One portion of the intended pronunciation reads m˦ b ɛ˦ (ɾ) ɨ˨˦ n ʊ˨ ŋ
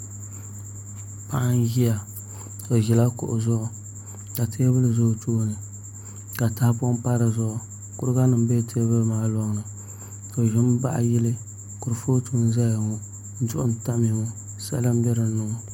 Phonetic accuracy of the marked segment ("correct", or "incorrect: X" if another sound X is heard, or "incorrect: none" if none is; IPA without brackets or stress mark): correct